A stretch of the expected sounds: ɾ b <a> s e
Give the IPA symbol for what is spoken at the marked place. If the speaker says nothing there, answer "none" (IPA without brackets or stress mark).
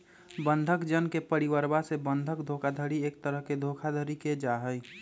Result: a